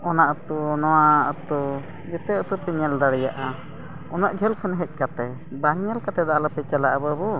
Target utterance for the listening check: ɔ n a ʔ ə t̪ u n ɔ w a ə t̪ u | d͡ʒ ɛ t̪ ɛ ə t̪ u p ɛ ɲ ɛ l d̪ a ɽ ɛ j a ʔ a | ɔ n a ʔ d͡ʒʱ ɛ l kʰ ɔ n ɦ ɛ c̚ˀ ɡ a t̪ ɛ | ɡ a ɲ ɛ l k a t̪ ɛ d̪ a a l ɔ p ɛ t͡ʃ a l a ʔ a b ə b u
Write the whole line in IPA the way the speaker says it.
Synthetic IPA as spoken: ɔ n a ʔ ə t̪ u n ɔ w a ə t̪ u | d͡ʒ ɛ t̪ ɛ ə t̪ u p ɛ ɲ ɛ l d̪ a ɽ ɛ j a ʔ a | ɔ n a ʔ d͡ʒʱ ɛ l kʰ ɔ n ɦ ɛ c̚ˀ k a t̪ ɛ | b a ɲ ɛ l k a t̪ ɛ d̪ a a l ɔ p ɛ t͡ʃ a l a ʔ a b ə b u